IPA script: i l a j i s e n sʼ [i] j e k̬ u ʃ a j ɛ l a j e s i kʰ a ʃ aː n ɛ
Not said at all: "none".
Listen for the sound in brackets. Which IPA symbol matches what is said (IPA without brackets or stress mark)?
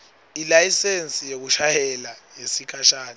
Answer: i